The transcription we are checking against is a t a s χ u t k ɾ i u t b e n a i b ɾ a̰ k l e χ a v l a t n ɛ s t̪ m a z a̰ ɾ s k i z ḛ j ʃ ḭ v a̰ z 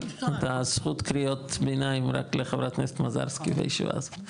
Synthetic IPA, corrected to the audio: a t a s χ u t k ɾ i o t b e n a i m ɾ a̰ k l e χ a v ɾ a t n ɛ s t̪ m a z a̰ ɾ s k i v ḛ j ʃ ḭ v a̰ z